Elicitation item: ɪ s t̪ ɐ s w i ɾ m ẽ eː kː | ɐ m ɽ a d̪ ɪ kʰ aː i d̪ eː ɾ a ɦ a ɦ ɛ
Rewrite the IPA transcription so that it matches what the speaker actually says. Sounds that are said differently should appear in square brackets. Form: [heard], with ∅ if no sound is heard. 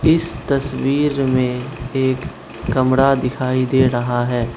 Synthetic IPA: ɪ s t̪ ɐ s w [iː] ɾ m ẽ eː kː | ɐ m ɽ a d̪ ɪ kʰ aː i d̪ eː ɾ [ɐ] ɦ a ɦ [ɛː]